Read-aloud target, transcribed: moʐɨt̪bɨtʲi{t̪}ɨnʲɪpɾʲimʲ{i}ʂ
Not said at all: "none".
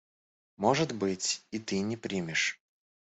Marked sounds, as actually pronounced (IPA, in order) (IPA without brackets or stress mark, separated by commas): t̪, ɪ